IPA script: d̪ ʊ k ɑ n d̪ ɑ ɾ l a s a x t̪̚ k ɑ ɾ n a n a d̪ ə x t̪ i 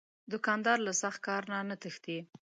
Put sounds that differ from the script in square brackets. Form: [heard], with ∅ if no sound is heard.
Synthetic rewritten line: d̪ ʊ k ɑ n d̪ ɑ ɾ l a s a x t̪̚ k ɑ ɾ n a n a [t̪] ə x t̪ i